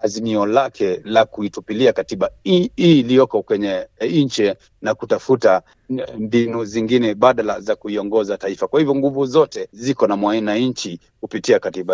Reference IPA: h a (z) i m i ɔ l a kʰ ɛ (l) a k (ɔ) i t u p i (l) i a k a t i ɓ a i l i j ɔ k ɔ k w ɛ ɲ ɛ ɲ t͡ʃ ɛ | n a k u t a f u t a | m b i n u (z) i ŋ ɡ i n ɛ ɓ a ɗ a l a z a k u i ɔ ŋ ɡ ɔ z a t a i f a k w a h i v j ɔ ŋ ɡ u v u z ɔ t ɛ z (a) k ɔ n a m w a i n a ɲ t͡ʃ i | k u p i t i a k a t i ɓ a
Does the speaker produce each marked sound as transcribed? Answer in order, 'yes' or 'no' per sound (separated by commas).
yes, yes, no, yes, yes, no